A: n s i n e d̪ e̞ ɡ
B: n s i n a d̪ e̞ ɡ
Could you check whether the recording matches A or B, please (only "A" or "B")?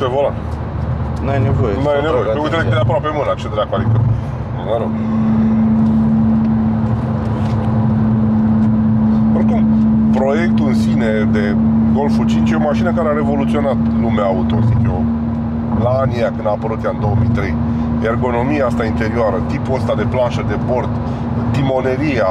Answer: A